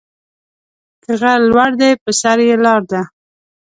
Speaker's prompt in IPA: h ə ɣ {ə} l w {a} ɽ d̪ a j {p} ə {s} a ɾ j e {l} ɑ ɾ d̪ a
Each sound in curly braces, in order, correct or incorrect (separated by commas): incorrect, correct, correct, correct, correct